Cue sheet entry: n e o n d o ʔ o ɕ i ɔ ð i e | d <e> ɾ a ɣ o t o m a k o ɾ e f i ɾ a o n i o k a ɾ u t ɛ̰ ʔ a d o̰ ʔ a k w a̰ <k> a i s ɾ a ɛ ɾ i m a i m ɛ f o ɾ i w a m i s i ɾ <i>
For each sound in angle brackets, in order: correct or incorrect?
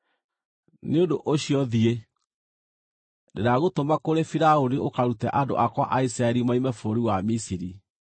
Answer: correct, incorrect: ʔ, correct

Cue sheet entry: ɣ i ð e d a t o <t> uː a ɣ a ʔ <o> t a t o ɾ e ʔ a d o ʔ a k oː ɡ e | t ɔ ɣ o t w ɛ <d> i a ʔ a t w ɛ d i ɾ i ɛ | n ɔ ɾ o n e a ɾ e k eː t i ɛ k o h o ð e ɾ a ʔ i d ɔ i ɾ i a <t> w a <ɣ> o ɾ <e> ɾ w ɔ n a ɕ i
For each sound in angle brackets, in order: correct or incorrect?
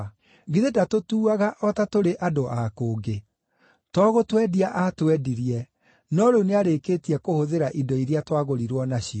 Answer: correct, incorrect: ɔ, correct, correct, correct, incorrect: i

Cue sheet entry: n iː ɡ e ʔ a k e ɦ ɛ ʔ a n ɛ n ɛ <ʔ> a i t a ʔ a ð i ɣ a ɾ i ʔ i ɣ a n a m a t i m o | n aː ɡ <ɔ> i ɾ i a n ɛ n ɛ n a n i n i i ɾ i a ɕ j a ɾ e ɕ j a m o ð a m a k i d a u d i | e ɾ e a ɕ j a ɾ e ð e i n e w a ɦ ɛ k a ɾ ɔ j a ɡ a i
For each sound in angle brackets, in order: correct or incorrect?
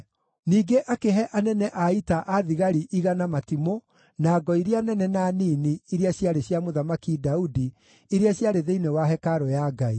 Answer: correct, correct

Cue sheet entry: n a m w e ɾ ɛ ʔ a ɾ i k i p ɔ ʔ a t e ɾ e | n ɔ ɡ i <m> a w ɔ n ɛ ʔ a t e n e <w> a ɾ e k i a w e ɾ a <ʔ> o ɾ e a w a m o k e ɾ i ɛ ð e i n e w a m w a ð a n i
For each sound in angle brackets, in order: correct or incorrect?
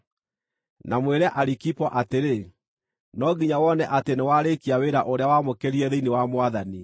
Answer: incorrect: ɲ, correct, correct

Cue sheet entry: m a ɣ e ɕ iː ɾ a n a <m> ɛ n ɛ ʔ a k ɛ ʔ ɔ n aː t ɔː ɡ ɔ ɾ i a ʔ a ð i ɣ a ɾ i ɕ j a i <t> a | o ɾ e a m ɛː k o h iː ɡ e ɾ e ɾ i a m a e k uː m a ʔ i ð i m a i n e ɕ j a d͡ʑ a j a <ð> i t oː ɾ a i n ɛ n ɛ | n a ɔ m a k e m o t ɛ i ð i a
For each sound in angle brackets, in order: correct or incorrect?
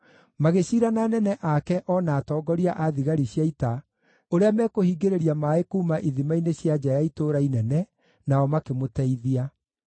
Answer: incorrect: n, correct, incorrect: none

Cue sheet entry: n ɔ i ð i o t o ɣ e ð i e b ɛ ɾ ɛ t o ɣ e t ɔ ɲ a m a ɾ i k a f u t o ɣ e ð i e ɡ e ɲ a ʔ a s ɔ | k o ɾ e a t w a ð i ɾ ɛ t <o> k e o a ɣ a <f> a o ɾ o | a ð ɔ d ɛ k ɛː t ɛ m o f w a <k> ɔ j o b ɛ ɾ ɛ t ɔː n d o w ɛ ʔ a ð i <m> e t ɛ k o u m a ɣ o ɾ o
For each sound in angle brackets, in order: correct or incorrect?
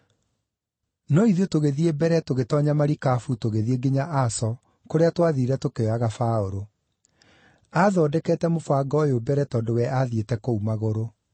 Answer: correct, correct, incorrect: ɡ, incorrect: none

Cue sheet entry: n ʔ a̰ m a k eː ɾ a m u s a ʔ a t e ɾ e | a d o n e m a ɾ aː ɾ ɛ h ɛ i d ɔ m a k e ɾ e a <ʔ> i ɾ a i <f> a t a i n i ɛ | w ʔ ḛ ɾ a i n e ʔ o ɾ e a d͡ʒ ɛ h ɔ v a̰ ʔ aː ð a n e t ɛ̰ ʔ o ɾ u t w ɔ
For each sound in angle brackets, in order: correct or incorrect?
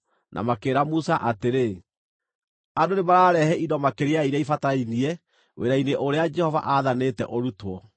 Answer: incorrect: none, correct

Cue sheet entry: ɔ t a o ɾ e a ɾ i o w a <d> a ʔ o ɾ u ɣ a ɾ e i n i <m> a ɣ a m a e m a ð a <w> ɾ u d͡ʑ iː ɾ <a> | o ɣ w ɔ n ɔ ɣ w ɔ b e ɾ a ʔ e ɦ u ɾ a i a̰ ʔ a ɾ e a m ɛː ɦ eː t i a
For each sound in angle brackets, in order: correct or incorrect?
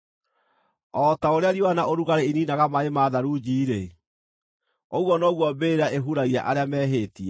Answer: incorrect: n, incorrect: n, incorrect: none, incorrect: e

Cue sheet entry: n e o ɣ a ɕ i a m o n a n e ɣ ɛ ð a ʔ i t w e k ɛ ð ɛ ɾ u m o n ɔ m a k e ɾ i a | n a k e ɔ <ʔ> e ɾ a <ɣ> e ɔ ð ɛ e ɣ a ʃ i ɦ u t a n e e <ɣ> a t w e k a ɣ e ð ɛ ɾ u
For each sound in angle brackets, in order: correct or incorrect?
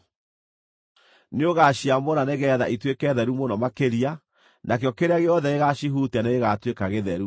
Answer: incorrect: k, correct, correct

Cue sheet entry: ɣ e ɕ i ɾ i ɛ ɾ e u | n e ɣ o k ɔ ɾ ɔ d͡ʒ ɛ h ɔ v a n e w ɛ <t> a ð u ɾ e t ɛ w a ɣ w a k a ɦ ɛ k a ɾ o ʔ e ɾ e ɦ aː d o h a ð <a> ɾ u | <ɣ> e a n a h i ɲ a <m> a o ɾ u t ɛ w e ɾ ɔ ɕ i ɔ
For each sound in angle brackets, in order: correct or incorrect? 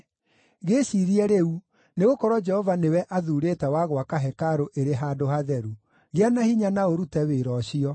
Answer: incorrect: ʔ, incorrect: ɛ, correct, incorrect: n

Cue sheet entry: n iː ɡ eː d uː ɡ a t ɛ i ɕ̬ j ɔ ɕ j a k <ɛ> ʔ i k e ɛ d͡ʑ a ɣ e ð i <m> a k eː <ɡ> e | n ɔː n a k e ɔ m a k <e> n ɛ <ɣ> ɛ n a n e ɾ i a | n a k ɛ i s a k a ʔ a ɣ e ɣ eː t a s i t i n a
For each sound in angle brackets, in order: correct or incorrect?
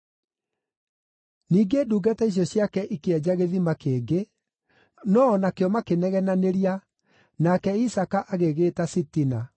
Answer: correct, correct, correct, correct, correct

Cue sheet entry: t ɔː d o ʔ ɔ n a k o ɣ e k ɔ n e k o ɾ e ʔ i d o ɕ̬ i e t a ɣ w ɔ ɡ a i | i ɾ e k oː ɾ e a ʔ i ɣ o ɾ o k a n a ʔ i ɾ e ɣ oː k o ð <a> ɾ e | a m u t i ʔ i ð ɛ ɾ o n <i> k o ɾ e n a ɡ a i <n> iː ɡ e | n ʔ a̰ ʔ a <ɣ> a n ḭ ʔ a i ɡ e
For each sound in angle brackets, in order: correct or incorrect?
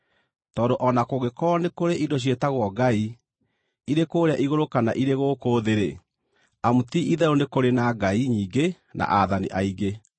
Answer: incorrect: e, incorrect: e, incorrect: ɲ, incorrect: ð

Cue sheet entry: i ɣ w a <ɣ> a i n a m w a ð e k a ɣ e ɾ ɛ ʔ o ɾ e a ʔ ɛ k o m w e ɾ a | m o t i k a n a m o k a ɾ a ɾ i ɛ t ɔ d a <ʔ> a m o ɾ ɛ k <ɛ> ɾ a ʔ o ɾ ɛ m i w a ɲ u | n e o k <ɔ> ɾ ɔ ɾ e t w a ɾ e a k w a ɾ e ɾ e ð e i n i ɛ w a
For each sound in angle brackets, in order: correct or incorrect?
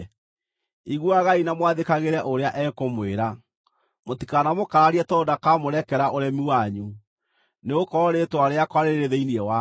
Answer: correct, incorrect: k, correct, correct

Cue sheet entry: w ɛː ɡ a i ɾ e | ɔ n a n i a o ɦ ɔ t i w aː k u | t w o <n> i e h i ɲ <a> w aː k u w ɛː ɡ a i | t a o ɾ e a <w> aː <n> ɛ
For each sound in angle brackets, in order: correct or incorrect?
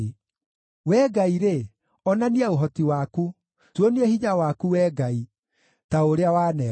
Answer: correct, correct, correct, correct

